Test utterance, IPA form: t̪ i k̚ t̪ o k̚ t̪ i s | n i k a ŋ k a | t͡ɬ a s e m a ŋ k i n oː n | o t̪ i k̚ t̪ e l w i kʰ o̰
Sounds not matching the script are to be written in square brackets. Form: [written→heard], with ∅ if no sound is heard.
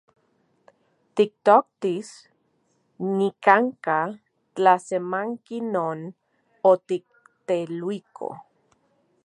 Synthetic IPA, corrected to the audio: t̪ i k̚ t̪ o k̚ t̪ i s | n i k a ŋ k a | t͡ɬ a s e m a ŋ k i n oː n | o t̪ i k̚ t̪ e l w i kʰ o̰

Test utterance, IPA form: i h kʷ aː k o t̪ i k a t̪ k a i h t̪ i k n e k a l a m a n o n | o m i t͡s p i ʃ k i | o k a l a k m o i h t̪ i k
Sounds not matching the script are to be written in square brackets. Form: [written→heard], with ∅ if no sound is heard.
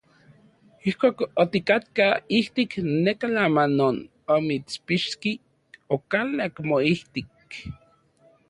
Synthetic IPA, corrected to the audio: i h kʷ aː k o t̪ i k a t̪ k a i h t̪ i k n e k a l a m a n o n | o m i t͡s p i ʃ k i | o k a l a k m o i h t̪ i k

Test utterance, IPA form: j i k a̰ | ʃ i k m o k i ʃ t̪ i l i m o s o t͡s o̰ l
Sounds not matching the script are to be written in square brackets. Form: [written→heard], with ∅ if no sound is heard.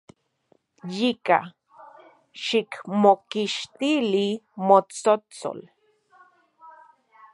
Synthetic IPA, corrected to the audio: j i k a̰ | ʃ i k m o k i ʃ t̪ i l i m o [s→t͡s] o t͡s o̰ l

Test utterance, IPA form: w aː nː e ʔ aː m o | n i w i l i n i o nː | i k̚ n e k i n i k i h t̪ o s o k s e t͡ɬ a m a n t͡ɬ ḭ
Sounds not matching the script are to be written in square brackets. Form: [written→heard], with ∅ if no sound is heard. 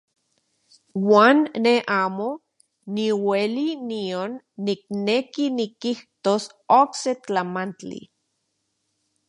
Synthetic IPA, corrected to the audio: w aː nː e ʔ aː m o | n i w [i→e] l i n i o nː | i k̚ n e k i n i k i h t̪ o s o k s e t͡ɬ a m a n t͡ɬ ḭ

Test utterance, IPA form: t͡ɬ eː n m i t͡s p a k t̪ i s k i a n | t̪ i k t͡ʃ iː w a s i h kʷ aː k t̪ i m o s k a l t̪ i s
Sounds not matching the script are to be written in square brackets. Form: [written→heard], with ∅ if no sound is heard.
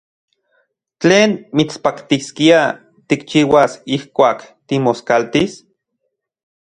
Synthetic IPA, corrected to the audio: t͡ɬ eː n m i t͡s p a k t̪ i s k i a [n→∅] | t̪ i k t͡ʃ iː w a s i h kʷ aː k t̪ i m o s k a l t̪ i s

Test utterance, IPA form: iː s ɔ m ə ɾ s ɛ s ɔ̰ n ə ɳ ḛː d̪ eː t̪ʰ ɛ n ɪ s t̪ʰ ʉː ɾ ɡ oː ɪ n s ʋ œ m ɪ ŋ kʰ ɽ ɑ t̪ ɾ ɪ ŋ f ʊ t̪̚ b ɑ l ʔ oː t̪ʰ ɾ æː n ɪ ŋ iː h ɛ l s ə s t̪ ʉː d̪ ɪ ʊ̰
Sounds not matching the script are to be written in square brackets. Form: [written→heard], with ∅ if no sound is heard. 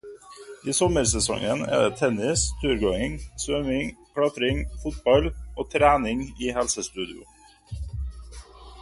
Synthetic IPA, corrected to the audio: iː s ɔ m ə ɾ s ɛ s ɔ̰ [n→ŋ] ə [ɳ→n] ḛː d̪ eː t̪ʰ ɛ n ɪ s t̪ʰ ʉː ɾ ɡ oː ɪ [n→ŋ] s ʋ œ m ɪ ŋ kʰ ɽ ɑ t̪ ɾ ɪ ŋ f ʊ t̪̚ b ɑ l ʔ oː t̪ʰ ɾ æː n ɪ ŋ iː h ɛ l s ə s t̪ ʉː d̪ ɪ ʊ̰

